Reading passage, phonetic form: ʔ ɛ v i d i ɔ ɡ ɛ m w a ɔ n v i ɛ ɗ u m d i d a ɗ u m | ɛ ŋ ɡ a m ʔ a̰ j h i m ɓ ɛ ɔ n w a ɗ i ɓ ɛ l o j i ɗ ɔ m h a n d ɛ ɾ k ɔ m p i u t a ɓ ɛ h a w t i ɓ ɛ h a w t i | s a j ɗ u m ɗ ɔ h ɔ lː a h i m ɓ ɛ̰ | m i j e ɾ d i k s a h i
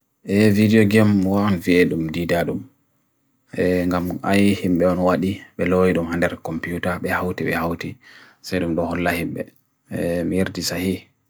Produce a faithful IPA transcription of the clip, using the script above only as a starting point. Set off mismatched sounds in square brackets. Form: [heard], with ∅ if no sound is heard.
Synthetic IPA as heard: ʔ ɛ v i d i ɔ ɡ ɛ m w a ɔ n v i ɛ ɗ u m d i d a ɗ u m | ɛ ŋ ɡ a m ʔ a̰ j h i m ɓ ɛ ɔ n w a ɗ i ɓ ɛ l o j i ɗ [u] m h a n d ɛ ɾ k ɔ m p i u t a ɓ ɛ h a w t i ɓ ɛ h a w t i | s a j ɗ u m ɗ ɔ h ɔ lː a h i m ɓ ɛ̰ | m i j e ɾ d i [∅] s a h i

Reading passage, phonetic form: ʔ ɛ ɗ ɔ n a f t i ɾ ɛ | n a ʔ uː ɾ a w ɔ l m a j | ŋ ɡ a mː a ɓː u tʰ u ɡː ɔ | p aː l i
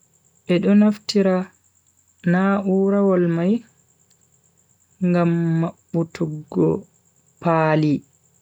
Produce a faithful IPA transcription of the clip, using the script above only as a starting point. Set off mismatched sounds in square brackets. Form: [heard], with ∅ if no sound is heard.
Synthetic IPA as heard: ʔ ɛ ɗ ɔ n a f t i ɾ [a] | n a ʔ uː ɾ a w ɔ l m a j | ŋ ɡ a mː a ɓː u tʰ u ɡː ɔ | p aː l i

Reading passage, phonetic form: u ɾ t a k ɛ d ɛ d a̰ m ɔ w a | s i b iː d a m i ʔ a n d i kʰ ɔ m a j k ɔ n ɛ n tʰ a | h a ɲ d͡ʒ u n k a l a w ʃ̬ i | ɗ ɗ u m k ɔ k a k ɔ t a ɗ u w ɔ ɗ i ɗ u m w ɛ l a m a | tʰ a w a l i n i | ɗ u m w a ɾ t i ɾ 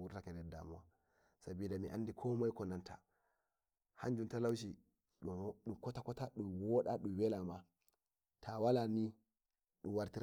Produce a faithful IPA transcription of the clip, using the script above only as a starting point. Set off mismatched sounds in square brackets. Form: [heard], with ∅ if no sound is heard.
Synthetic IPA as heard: u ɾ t a k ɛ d ɛ d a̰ m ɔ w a | s [a] b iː d a m i ʔ a n d i kʰ ɔ m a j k ɔ n [a] n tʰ a | h a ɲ d͡ʒ u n [t] a l a w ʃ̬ i | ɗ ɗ u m k ɔ [t] a k ɔ t a ɗ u w ɔ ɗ [a] ɗ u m w ɛ l a m a | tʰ a w a l [a] n i | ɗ u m w a ɾ t i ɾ

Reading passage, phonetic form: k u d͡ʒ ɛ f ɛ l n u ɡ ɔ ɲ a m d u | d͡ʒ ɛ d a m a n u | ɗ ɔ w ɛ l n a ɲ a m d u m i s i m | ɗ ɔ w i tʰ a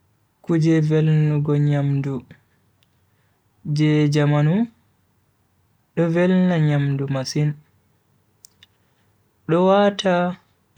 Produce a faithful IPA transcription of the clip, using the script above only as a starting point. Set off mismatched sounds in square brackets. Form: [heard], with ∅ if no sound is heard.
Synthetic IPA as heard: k u d͡ʒ ɛ [v] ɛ l n u ɡ ɔ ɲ a m d u | d͡ʒ ɛ [d͡ʒ] a m a n u | ɗ ɔ [v] ɛ l n a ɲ a m d u m [a] s i [n] | ɗ ɔ w [a] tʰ a

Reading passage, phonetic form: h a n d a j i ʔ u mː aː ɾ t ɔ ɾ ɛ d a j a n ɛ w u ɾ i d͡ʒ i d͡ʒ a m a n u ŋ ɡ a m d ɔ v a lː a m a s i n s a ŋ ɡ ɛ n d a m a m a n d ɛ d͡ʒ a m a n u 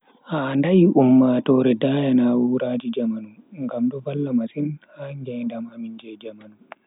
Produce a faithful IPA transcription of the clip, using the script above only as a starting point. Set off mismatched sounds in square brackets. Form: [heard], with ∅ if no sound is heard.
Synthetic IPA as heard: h a n d a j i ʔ u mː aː [∅] t ɔ ɾ ɛ d a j a n [a] w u ɾ [a] d͡ʒ i d͡ʒ a m a n u ŋ ɡ a m d ɔ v a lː a m a s i n [h] a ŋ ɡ ɛ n d a m a m [i] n [d͡ʒ] ɛ d͡ʒ a m a n u

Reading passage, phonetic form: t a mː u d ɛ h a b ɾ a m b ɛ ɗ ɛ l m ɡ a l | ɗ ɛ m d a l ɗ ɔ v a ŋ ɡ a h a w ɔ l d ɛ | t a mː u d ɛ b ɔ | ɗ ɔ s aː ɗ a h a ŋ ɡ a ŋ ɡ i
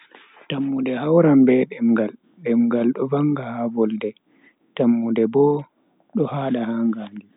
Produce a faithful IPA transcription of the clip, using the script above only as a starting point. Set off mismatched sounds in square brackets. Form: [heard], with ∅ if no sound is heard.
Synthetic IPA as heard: t a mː u d ɛ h a [w] ɾ a m b ɛ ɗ ɛ [∅] m ɡ a l | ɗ ɛ m [ɡ] a l ɗ ɔ v a ŋ ɡ a h a [v] ɔ l d ɛ | t a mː u d ɛ b ɔ | ɗ ɔ [h] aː ɗ a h a ŋ ɡ a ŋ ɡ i

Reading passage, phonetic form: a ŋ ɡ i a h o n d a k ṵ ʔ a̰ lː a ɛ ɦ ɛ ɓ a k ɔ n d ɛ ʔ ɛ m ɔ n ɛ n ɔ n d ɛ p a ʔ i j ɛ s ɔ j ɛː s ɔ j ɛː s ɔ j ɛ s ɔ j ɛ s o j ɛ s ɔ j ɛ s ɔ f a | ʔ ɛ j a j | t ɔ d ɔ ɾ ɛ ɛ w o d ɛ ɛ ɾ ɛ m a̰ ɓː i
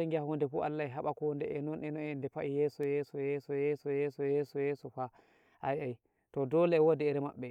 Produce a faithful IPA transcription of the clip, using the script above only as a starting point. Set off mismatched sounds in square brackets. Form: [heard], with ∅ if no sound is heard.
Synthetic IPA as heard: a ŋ ɡ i a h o n d [ɛ] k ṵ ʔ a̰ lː a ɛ ɦ [a] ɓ a k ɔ n d ɛ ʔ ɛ [n] ɔ n ɛ n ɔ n d ɛ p a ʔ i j ɛ s ɔ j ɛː s ɔ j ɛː s ɔ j ɛ s ɔ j ɛ s [ɔ] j ɛ s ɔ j ɛ s ɔ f a | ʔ [a] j a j | t ɔ d ɔ [l] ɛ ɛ w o d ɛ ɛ ɾ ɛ m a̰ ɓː [ɛ]

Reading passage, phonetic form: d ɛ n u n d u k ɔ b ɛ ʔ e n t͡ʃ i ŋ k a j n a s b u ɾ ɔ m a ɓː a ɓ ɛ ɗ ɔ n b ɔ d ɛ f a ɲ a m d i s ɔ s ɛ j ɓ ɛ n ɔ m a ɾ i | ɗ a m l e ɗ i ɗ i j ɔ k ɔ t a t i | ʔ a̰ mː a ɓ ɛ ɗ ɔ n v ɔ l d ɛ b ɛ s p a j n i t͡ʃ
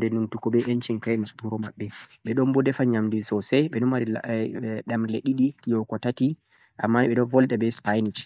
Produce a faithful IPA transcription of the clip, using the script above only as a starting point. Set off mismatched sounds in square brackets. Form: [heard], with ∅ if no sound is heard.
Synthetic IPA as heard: d ɛ n u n [t] u k ɔ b ɛ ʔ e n t͡ʃ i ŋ k a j n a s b u ɾ ɔ m a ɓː [ɛ] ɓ ɛ ɗ ɔ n b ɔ d ɛ f a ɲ a m d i s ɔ s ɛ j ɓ ɛ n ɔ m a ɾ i | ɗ a m l e ɗ i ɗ i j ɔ k ɔ t a t i | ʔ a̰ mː a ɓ ɛ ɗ ɔ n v ɔ l d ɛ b ɛ s p a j n i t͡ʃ

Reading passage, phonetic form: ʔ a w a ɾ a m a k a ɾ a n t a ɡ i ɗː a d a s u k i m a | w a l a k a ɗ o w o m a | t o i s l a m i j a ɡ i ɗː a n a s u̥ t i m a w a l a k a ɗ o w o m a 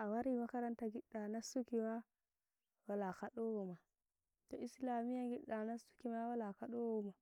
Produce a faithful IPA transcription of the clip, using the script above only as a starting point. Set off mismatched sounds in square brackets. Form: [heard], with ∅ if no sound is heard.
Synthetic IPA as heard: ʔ a w a ɾ [i] m a k a ɾ a n t a ɡ i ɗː a [n] a s u k i m a | w a l a k a ɗ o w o m a | t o i s l a m i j a ɡ i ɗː a n a s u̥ [k] i m a w a l a k a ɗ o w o m a

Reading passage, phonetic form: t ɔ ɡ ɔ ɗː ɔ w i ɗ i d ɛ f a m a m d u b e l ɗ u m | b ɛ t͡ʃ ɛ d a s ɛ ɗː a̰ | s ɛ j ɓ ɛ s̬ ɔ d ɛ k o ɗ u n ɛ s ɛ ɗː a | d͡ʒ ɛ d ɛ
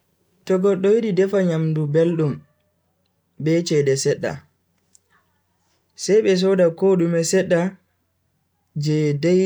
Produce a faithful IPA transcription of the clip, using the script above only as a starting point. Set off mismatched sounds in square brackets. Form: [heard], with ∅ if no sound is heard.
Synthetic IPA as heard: t ɔ ɡ ɔ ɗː ɔ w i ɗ i d ɛ f a [ɲ] a m d u b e l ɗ u m | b ɛ t͡ʃ ɛ d [ɛ] s ɛ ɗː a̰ | s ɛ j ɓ ɛ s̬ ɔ d [a] k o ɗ u [m] ɛ s ɛ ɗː a | d͡ʒ ɛ d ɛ

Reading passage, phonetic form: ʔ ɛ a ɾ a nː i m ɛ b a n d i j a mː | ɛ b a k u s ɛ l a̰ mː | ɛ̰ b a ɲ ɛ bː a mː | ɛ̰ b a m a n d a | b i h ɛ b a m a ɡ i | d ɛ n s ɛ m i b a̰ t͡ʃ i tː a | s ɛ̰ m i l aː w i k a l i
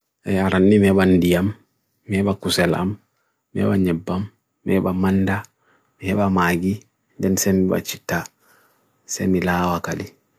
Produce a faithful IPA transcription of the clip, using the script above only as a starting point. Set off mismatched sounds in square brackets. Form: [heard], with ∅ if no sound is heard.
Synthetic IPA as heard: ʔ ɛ a ɾ a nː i m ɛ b a n d i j a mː | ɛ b a k u s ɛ l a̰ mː | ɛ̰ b a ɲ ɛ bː a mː | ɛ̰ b a m a n d a | [m] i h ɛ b a m a ɡ i | d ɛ n s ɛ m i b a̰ t͡ʃ i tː a | s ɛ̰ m i l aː w [a] k a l i

